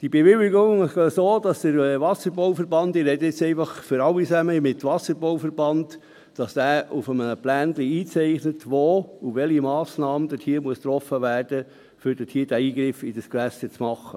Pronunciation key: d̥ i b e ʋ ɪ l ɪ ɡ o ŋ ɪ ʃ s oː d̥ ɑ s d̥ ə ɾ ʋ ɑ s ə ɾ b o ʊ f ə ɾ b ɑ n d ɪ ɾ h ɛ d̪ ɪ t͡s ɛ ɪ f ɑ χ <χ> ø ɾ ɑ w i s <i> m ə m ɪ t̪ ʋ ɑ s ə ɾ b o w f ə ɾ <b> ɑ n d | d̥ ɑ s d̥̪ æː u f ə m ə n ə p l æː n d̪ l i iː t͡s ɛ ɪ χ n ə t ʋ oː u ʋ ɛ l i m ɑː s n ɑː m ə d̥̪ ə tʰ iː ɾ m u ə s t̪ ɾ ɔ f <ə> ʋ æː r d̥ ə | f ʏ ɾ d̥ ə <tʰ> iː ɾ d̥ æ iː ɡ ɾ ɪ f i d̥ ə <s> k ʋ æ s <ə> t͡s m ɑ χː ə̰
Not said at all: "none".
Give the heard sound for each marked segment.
f, æ, b, ə, tʰ, s, ə

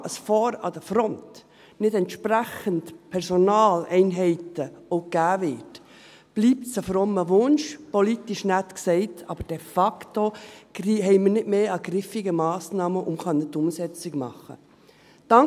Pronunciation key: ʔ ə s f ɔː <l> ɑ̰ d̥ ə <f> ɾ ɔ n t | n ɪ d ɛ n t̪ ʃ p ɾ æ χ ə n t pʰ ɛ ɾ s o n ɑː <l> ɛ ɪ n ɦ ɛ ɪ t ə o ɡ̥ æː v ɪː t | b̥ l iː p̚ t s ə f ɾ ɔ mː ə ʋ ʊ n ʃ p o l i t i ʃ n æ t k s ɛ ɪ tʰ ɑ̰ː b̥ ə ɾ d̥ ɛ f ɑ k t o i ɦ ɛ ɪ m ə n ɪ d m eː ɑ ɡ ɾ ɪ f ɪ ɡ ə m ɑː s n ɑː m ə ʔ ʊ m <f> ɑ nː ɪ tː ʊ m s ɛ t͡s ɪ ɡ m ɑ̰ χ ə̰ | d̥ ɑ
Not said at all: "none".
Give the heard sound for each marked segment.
ɾ, f, l, χ

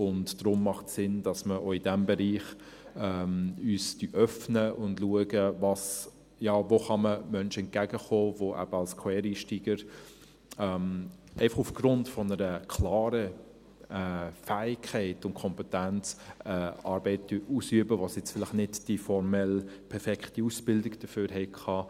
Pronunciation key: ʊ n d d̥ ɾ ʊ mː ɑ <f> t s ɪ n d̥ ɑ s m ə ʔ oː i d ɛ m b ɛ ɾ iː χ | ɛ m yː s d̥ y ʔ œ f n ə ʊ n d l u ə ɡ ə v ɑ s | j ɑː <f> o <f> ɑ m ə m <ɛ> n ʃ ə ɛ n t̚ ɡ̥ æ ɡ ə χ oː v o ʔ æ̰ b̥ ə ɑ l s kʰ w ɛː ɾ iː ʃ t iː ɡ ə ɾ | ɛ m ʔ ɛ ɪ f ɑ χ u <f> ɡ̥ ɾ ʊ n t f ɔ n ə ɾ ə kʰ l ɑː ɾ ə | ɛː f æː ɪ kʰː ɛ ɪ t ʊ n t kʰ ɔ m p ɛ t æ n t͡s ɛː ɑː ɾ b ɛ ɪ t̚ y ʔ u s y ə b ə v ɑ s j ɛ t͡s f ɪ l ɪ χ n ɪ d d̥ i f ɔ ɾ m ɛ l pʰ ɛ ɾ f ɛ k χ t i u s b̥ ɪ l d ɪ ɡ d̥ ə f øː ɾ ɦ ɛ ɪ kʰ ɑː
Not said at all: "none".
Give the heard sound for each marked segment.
χ, v, χ, œ, f

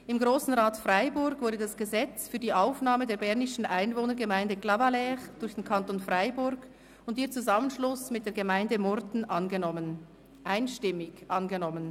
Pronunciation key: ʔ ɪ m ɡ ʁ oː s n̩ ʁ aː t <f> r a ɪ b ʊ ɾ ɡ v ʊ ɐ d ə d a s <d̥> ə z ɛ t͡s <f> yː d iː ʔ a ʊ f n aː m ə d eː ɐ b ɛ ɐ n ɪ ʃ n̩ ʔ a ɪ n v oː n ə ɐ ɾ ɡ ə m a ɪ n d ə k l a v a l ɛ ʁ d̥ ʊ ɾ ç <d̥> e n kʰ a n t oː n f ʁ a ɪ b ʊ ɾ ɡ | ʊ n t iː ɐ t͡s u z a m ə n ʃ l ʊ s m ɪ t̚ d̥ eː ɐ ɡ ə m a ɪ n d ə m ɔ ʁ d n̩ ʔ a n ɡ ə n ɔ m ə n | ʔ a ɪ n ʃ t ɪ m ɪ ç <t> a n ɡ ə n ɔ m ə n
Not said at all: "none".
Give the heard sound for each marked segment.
f, ɡ̥, f, d̥, ʔ

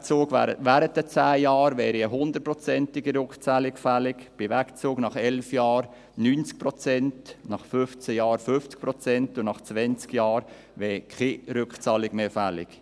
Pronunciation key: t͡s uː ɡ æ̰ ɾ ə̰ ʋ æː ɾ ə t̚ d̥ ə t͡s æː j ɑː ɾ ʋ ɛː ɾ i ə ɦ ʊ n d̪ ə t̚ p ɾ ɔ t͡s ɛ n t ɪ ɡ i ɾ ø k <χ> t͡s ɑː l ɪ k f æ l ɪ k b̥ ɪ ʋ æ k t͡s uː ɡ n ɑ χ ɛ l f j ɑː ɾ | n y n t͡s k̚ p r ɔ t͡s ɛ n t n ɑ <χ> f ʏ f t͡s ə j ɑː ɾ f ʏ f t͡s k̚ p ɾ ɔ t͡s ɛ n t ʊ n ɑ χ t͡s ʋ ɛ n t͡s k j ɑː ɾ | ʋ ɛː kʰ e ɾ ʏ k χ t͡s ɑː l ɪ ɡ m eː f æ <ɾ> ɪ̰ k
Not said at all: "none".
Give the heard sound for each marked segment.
χ, χ, l

